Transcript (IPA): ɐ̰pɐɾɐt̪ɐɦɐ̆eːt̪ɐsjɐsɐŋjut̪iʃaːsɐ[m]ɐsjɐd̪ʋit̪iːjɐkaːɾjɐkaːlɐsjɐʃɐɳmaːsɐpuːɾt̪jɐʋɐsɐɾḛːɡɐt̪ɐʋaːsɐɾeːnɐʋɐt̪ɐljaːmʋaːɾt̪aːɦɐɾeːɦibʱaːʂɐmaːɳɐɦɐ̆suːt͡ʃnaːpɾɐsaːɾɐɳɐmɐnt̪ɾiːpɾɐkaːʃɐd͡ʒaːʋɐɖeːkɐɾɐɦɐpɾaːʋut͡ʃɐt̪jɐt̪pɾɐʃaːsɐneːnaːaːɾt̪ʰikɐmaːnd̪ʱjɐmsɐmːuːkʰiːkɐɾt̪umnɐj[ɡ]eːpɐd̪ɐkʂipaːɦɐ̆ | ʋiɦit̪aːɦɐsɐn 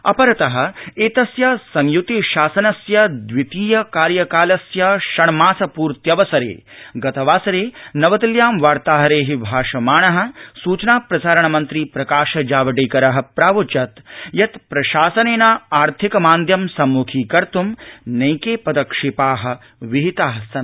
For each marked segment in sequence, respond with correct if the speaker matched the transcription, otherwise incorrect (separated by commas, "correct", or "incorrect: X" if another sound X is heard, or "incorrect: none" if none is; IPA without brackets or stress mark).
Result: incorrect: n, incorrect: k